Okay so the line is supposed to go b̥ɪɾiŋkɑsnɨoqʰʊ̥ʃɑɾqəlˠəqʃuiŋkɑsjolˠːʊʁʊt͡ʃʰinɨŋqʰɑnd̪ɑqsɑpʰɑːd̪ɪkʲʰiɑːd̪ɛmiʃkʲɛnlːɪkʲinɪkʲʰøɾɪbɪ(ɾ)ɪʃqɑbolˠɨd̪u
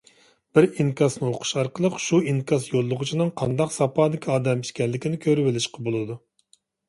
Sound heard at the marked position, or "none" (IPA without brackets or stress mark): l